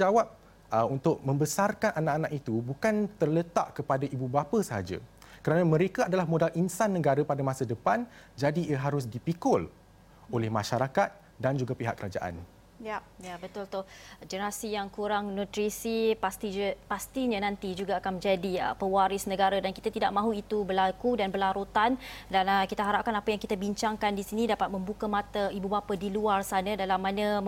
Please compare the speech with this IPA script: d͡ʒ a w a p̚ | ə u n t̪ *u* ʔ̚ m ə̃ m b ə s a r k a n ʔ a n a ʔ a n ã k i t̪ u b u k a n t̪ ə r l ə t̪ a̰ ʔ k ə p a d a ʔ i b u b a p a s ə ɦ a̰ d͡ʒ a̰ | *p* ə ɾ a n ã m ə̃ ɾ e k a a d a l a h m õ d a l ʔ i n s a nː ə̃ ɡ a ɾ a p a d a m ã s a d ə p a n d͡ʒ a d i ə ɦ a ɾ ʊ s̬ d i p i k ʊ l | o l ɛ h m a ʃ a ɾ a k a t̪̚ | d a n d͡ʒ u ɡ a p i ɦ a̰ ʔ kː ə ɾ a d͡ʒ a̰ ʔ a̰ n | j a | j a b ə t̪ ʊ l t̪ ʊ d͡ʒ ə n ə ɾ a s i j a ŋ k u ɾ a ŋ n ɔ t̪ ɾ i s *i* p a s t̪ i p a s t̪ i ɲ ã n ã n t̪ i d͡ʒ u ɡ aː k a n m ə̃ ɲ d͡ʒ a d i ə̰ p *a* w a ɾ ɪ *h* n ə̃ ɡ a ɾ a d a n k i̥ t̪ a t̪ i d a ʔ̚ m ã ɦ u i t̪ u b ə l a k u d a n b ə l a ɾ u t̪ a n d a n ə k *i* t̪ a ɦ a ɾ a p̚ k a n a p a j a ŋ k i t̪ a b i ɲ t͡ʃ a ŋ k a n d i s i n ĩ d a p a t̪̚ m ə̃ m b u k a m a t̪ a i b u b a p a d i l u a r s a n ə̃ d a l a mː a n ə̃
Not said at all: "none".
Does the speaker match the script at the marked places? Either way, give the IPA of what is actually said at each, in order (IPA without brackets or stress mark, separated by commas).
ʊ, k, i, ə, s, i